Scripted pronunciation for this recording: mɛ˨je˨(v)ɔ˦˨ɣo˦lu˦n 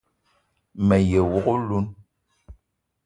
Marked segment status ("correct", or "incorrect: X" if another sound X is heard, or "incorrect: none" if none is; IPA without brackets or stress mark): incorrect: w